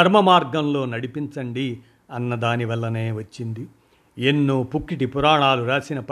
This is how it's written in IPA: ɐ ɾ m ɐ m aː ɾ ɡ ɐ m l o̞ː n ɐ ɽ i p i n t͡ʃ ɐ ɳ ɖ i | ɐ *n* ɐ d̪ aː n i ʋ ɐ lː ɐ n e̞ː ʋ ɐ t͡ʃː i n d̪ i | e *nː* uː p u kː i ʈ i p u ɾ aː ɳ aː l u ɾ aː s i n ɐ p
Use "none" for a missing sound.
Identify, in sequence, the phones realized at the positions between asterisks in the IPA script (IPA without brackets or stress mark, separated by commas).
nː, nː